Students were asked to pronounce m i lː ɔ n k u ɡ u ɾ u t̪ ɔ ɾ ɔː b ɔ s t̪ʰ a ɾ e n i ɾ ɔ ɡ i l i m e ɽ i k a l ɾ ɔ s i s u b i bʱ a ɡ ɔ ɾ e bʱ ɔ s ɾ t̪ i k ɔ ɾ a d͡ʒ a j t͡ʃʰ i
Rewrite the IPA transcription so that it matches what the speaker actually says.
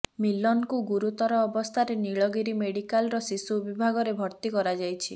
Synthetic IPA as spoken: m i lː ɔ n k u ɡ u ɾ u t̪ ɔ ɾ ɔː b ɔ s t̪ʰ a ɾ e n i ɭ ɔ ɡ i ɾ i m e ɽ i k a l ɾ ɔ s i s u b i bʱ a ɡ ɔ ɾ e bʱ ɔ ɾ t̪ i k ɔ ɾ a d͡ʒ a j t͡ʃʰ i

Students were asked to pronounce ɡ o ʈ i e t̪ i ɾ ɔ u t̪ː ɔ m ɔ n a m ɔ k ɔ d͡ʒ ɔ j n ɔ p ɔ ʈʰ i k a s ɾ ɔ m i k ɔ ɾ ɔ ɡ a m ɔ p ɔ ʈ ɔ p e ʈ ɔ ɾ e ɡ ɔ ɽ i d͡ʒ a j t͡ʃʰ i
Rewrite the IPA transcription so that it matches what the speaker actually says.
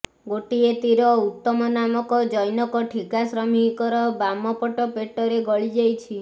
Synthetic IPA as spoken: ɡ o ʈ i e t̪ i ɾ ɔ u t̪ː ɔ m ɔ n a m ɔ k ɔ d͡ʒ ɔ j n ɔ k ɔ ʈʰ i k a s ɾ ɔ m i k ɔ ɾ ɔ b a m ɔ p ɔ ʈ ɔ p e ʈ ɔ ɾ e ɡ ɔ ɭ i d͡ʒ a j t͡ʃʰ i

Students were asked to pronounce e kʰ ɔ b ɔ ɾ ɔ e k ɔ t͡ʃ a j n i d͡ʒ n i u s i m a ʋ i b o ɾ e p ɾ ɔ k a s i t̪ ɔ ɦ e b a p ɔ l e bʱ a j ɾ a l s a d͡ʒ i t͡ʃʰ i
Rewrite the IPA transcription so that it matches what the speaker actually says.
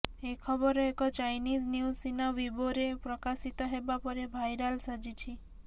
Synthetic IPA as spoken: e kʰ ɔ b ɔ ɾ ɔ e k ɔ t͡ʃ a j n i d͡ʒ n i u s i n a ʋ i b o ɾ e p ɾ ɔ k a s i t̪ ɔ ɦ e b a p ɔ ɾ e bʱ a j ɾ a l s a d͡ʒ i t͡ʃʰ i

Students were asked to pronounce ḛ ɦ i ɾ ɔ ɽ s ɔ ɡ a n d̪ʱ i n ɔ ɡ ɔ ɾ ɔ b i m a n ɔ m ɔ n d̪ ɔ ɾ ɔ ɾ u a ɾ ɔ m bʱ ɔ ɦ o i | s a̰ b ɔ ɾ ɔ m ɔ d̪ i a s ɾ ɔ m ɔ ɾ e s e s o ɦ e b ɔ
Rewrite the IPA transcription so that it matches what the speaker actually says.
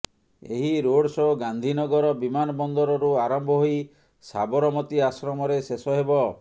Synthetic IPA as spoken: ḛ ɦ i ɾ o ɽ s ɔ ɡ a n d̪ʱ i n ɔ ɡ ɔ ɾ ɔ b i m a n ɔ b ɔ n d̪ ɔ ɾ ɔ ɾ u a ɾ ɔ m bʱ ɔ ɦ o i | s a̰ b ɔ ɾ ɔ m ɔ t̪ i a s ɾ ɔ m ɔ ɾ e s e s ɔ ɦ e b ɔ

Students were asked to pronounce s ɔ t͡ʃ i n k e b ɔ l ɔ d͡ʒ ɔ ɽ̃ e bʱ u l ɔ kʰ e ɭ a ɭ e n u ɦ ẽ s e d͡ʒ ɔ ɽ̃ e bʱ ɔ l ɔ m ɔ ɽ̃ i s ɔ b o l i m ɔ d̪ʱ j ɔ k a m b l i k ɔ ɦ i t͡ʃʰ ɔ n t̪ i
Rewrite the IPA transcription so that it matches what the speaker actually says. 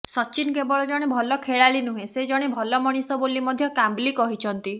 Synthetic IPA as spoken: s ɔ t͡ʃ i n k e b ɔ ɭ ɔ d͡ʒ ɔ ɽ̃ e bʱ ɔ l ɔ kʰ e ɭ a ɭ i n u ɦ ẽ s e d͡ʒ ɔ ɽ̃ e bʱ ɔ l ɔ m ɔ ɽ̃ i s ɔ b o l i m ɔ d̪ʱ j ɔ k a m b l i k ɔ ɦ i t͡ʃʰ ɔ n t̪ i

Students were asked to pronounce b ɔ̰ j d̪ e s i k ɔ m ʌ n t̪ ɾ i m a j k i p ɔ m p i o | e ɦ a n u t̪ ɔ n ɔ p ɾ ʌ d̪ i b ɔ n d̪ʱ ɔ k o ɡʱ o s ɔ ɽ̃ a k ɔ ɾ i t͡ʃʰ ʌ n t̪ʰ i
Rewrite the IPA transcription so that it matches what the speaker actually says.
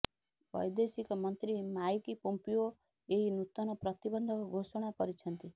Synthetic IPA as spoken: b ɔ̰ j d̪ e s i k ɔ m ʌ n t̪ ɾ i m a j k i p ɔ m p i o | e ɦ i n u t̪ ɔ n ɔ p ɾ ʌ t̪ i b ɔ n d̪ʱ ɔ k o ɡʱ o s ɔ ɽ̃ a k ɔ ɾ i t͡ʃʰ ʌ n t̪ i

